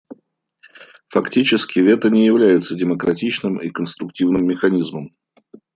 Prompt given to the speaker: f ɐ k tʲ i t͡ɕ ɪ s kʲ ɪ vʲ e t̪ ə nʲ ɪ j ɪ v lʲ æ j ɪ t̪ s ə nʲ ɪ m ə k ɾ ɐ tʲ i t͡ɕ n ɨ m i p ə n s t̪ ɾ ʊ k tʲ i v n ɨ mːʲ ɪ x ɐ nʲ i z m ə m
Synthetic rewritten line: f ɐ k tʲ i t͡ɕ ɪ s kʲ ɪ vʲ e t̪ ə nʲ ɪ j ɪ v lʲ æ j ɪ t̪ s ə dʲ ɪ m ə k ɾ ɐ tʲ i t͡ɕ n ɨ m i k ə n s t̪ ɾ ʊ k tʲ i v n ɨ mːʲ ɪ x ɐ nʲ i z m ə m